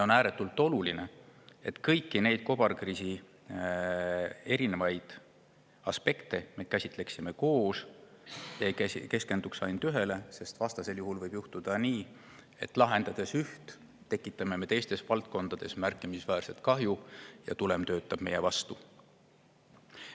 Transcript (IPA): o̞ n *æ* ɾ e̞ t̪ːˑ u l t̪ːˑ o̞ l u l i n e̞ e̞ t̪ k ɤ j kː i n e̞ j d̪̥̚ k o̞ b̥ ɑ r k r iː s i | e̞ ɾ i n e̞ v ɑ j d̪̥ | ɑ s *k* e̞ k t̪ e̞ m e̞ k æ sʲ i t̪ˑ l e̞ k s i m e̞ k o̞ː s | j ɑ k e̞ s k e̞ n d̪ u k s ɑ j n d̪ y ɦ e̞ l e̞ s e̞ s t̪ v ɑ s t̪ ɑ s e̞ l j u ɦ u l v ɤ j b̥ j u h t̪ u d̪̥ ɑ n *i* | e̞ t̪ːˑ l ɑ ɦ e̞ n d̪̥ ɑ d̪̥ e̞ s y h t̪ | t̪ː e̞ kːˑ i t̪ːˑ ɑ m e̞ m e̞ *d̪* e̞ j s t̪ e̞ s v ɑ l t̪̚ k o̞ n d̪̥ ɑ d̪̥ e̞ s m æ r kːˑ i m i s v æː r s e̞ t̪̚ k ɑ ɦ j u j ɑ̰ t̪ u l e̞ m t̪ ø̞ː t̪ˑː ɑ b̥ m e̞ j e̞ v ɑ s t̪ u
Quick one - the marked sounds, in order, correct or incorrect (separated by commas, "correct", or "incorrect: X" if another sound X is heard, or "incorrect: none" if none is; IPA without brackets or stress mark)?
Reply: incorrect: æː, incorrect: p, incorrect: iː, incorrect: t̪